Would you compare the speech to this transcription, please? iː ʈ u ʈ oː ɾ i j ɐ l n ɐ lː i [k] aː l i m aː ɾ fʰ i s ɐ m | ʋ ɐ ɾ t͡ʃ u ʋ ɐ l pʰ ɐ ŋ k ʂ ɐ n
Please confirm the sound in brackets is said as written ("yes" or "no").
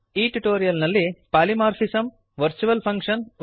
no